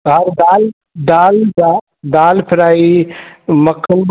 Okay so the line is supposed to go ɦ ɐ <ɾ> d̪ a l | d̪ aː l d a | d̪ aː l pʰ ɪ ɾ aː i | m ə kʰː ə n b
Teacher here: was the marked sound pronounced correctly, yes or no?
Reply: yes